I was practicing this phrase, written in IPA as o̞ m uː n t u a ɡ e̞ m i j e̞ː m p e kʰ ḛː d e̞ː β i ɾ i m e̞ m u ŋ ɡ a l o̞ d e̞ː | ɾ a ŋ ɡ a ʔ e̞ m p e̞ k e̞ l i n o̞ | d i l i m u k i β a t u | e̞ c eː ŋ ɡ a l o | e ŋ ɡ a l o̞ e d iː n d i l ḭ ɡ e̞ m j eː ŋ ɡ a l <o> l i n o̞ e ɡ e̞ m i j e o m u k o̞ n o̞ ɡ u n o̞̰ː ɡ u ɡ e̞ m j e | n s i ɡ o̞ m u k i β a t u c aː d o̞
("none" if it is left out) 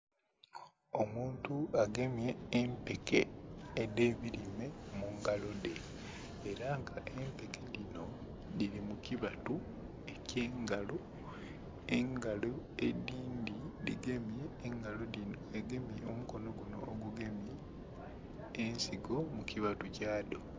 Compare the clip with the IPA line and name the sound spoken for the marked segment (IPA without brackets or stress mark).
o